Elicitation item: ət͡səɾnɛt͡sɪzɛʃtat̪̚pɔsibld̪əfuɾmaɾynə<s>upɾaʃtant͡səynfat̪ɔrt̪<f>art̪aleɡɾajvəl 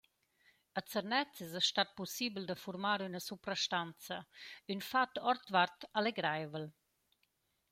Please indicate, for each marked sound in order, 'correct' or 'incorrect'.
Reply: correct, incorrect

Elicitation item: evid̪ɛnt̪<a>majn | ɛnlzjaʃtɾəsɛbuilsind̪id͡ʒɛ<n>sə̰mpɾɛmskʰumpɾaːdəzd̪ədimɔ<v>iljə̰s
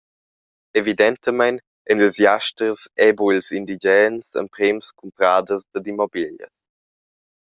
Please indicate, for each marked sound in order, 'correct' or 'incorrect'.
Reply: incorrect, correct, incorrect

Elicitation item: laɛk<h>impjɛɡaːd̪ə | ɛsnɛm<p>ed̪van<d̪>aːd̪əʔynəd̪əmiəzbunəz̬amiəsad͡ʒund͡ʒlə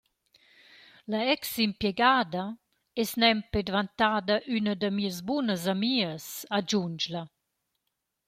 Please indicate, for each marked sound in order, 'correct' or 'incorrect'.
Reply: incorrect, correct, incorrect

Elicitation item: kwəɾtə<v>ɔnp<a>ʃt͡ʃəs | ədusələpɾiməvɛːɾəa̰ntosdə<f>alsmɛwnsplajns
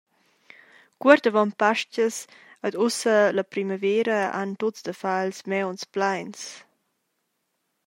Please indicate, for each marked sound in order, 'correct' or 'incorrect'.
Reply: correct, correct, correct

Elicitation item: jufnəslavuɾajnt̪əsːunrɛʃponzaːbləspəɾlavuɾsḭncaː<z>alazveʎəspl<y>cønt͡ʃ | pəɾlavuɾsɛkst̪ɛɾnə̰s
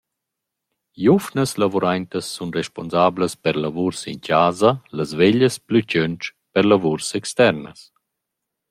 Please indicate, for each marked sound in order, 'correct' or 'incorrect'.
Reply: correct, correct

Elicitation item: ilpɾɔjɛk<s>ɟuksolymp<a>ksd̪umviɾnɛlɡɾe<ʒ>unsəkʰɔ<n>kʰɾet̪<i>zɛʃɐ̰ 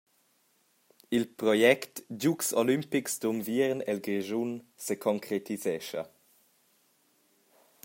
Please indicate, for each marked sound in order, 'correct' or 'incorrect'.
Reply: incorrect, incorrect, correct, incorrect, correct

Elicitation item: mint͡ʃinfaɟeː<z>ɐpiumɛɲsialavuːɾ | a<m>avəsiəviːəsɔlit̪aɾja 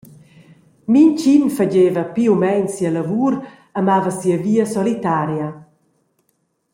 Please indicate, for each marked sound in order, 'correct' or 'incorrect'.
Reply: incorrect, correct

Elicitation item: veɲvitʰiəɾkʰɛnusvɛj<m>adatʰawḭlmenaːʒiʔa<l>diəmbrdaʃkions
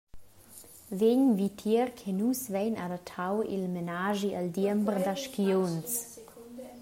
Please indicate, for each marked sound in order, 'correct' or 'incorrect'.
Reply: incorrect, correct

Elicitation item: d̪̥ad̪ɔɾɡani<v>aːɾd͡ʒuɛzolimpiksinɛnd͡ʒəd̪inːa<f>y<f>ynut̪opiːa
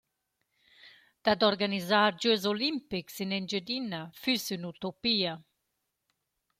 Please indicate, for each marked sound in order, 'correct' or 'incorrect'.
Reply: incorrect, correct, incorrect

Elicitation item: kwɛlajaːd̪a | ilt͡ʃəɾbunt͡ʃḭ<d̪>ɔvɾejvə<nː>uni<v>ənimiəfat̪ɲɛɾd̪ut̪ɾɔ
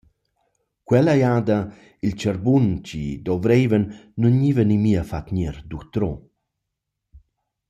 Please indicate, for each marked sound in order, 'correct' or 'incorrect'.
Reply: correct, correct, correct

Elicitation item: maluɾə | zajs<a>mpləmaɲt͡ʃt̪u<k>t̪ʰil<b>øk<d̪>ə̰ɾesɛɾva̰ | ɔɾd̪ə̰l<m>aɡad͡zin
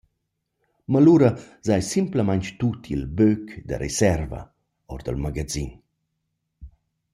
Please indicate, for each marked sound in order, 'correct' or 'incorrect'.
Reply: incorrect, incorrect, correct, correct, correct

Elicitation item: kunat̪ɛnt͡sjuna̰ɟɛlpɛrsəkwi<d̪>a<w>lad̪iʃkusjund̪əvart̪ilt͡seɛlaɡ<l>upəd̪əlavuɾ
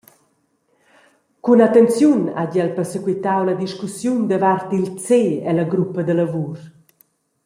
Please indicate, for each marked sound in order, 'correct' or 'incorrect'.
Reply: incorrect, correct, incorrect

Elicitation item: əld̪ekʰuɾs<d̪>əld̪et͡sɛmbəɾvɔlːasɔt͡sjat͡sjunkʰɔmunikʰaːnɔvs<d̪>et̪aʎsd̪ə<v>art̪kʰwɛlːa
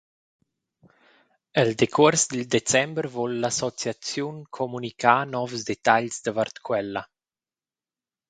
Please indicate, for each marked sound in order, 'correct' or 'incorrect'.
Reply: correct, correct, correct

